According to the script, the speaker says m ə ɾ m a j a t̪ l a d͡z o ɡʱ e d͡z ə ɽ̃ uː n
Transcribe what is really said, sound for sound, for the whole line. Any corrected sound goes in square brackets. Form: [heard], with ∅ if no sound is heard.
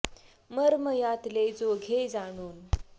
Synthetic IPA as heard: m ə ɾ m [ə] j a t̪ l [e] d͡z o ɡʱ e d͡z [a] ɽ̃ uː n